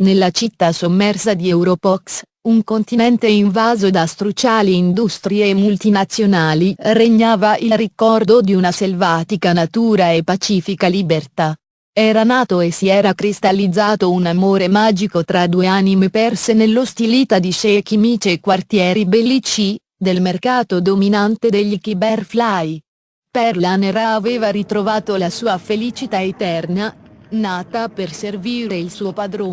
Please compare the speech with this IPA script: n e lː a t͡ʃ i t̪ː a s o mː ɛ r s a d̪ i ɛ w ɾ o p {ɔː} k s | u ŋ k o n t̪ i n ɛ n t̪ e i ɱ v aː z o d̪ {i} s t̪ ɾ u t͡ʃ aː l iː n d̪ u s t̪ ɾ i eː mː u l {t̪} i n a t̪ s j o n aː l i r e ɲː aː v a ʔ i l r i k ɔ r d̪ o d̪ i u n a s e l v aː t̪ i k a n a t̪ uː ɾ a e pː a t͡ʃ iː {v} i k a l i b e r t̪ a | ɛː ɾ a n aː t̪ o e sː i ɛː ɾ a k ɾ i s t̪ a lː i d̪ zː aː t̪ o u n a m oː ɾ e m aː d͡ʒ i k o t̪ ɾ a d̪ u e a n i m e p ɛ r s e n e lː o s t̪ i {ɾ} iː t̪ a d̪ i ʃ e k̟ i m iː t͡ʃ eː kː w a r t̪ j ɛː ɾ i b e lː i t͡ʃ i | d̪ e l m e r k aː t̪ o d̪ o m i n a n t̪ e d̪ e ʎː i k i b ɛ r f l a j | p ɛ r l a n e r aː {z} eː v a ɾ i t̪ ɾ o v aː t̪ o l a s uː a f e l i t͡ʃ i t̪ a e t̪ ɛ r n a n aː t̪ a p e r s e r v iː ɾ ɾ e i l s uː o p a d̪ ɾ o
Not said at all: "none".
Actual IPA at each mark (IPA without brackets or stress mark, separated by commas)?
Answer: ɔ, a, t̪, f, l, v